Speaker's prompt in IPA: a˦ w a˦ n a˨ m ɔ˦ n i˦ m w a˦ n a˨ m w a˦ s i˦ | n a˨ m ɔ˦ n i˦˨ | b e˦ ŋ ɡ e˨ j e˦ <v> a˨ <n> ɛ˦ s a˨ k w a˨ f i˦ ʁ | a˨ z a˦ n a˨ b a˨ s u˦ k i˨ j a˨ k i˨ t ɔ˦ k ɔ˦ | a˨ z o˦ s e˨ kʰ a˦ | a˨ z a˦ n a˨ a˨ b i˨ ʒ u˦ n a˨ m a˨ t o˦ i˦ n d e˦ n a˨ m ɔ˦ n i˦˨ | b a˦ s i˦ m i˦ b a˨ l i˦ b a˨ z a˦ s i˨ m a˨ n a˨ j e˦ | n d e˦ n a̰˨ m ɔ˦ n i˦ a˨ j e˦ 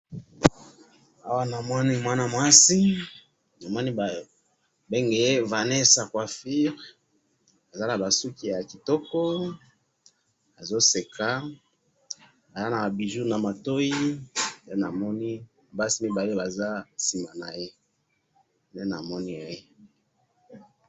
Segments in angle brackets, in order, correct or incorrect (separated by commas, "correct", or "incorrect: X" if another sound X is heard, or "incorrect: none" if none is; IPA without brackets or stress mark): correct, correct